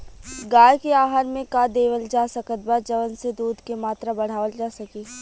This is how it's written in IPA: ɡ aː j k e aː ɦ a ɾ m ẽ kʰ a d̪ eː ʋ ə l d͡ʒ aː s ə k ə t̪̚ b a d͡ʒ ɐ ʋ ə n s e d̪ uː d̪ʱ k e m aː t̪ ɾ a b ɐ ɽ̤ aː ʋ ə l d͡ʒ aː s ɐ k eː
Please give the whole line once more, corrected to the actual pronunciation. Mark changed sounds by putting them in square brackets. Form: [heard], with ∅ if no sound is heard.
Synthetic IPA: ɡ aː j k e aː ɦ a ɾ m ẽ [k] a d̪ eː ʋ ə l d͡ʒ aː s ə k ə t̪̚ b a d͡ʒ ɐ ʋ ə n s e d̪ uː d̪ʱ k e m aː t̪ ɾ a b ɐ ɽ̤ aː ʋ ə l d͡ʒ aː s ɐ k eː